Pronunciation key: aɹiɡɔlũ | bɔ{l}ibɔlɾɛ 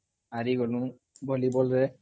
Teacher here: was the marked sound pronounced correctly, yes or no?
yes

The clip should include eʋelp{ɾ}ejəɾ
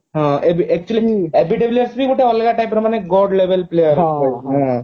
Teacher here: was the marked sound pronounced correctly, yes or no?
no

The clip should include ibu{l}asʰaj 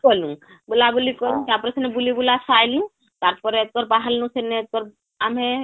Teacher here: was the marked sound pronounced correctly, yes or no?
yes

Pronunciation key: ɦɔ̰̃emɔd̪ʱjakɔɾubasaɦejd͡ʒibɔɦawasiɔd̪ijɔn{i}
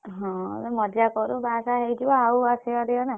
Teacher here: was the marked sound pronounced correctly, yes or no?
no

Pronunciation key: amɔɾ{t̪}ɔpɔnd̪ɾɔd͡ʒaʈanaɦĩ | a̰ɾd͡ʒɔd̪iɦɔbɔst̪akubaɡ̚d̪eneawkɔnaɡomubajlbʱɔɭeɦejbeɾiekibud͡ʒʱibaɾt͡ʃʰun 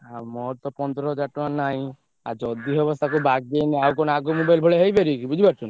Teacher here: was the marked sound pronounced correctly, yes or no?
yes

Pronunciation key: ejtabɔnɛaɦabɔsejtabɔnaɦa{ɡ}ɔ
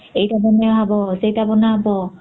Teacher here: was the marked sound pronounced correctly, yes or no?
no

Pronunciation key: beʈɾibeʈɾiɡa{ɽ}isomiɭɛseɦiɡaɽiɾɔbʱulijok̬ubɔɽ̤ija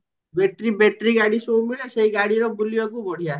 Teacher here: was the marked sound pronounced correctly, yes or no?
yes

